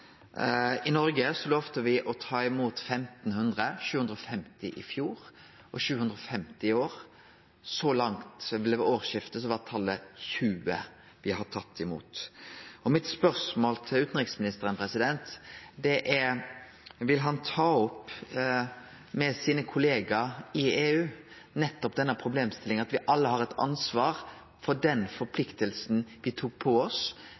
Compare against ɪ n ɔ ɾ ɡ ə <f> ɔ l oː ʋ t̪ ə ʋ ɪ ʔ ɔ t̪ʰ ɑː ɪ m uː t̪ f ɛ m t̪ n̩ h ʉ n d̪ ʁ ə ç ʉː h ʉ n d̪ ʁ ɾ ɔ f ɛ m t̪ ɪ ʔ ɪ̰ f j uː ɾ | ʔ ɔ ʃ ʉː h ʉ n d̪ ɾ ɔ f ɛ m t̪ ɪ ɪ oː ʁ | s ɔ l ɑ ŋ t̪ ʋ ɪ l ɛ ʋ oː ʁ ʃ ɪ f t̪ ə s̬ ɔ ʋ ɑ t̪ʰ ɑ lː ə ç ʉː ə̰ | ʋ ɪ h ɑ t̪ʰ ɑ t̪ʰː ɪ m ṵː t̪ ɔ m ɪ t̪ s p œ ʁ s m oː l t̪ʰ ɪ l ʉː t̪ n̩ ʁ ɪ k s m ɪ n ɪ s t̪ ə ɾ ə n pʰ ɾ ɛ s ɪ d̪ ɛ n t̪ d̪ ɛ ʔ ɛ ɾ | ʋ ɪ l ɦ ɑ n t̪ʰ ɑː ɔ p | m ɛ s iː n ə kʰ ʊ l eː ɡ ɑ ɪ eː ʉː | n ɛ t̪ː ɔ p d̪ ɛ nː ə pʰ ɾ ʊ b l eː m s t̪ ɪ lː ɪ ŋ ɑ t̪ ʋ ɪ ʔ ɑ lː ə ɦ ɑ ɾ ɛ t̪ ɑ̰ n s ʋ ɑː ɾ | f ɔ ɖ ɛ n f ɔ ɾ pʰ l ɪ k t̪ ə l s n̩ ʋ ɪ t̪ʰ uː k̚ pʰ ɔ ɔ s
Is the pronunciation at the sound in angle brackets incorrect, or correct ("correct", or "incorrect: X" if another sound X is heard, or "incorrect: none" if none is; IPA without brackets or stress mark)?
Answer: incorrect: s